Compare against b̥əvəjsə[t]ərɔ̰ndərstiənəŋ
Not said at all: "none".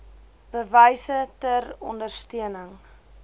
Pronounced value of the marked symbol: t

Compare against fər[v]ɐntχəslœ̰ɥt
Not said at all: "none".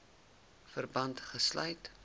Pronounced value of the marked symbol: b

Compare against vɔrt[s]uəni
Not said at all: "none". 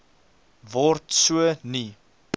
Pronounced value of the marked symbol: s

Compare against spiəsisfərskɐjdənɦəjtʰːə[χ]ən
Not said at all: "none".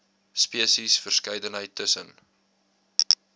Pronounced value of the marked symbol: s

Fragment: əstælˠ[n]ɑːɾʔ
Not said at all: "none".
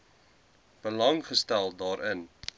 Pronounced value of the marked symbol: d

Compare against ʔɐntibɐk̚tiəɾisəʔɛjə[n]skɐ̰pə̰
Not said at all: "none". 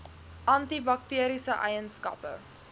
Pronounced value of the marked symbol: n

